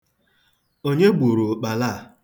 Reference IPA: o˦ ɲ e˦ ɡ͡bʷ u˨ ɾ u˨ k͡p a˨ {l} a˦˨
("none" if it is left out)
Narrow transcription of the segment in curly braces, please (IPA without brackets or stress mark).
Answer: l